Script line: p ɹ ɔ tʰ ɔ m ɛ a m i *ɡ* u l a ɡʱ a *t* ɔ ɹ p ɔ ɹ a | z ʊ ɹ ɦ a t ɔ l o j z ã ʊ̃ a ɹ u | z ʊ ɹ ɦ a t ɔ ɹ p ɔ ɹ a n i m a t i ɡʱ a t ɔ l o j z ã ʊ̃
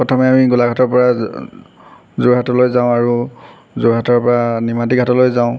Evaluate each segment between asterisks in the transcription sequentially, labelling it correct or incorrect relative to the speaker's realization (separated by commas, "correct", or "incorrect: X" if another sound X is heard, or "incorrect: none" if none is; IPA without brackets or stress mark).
correct, correct